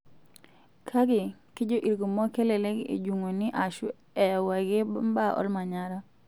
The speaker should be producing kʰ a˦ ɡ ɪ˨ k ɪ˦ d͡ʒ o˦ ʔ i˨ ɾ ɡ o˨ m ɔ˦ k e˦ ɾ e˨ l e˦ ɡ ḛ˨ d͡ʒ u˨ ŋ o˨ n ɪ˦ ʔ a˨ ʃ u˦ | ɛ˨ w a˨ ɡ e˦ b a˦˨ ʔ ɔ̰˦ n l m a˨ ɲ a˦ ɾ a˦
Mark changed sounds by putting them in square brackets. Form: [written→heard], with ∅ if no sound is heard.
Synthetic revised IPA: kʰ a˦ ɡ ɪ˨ k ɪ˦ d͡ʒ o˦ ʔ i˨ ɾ ɡ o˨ m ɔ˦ k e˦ [ɾ→l] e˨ l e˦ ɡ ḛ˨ d͡ʒ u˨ ŋ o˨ n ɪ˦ ʔ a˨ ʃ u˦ | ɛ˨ w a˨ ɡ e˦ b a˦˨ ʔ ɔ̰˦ [n→∅] l m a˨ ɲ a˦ ɾ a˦

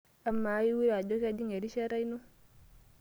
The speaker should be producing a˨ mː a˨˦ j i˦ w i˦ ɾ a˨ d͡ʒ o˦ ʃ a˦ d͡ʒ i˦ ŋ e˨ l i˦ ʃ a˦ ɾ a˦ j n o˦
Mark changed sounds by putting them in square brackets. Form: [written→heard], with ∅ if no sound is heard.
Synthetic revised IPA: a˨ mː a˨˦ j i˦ w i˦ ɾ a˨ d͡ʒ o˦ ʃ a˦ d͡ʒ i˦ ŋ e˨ [l→ɾ] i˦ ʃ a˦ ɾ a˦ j n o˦

